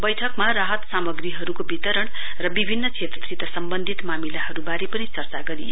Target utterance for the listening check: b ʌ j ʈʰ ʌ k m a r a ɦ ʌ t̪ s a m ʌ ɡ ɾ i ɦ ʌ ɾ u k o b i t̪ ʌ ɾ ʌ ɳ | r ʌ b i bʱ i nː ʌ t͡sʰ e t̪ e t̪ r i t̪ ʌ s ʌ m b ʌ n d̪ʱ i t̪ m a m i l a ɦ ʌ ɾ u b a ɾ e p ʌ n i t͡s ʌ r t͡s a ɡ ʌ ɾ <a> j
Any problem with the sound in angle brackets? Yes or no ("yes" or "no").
yes